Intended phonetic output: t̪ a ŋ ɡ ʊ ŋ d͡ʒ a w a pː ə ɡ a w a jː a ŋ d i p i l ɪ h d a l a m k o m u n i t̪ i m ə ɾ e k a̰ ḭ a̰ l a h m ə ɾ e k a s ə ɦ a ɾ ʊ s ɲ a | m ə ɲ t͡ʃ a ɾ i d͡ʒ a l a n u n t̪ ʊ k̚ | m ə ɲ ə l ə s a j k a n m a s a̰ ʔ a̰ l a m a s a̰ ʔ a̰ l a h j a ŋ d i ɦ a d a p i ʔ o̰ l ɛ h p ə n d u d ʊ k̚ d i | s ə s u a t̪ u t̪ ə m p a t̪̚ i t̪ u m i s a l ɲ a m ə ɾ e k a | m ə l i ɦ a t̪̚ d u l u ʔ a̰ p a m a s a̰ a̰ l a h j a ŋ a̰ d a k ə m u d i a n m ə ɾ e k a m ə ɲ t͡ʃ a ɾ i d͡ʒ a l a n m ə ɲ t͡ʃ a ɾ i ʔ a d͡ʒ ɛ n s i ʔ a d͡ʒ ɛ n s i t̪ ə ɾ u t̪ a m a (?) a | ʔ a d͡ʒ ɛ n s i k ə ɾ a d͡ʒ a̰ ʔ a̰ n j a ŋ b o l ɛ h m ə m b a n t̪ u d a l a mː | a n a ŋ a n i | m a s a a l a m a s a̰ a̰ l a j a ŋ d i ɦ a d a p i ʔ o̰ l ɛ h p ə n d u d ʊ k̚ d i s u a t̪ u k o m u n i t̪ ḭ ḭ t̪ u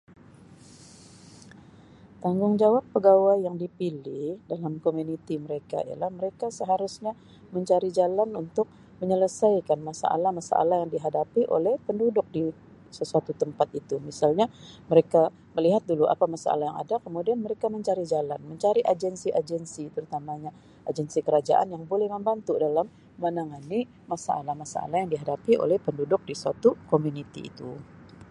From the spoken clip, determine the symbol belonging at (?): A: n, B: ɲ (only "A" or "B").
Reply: B